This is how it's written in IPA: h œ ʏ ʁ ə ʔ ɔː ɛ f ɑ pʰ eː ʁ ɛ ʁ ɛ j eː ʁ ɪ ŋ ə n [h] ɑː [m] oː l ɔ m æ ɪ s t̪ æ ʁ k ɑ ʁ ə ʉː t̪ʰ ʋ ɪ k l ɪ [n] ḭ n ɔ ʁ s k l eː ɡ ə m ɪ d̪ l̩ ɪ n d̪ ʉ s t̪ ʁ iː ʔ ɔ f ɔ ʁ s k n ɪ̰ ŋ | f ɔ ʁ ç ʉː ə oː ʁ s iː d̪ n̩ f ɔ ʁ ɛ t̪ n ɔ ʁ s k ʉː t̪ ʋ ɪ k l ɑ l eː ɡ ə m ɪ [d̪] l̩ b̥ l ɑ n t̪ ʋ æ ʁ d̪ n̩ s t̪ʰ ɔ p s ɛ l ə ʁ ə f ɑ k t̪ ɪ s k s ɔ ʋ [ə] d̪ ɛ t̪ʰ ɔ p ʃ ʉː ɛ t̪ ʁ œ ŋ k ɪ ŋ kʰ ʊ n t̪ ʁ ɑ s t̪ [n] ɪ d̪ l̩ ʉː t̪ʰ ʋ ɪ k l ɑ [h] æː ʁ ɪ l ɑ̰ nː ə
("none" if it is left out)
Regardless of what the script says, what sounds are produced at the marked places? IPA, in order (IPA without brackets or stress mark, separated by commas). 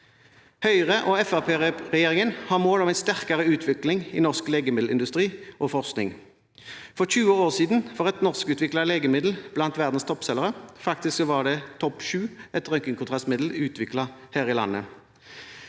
h, m, ŋ, d̪, ɑ, m, h